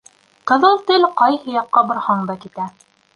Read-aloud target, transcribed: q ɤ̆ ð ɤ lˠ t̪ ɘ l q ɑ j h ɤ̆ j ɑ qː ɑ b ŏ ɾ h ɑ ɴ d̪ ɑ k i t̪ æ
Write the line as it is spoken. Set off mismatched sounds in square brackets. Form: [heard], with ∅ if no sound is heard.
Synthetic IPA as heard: q ɤ̆ ð ɤ lˠ t̪ ɘ l q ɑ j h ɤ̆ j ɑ qː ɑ b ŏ ɾ h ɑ ɴ d̪ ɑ k i t̪ æ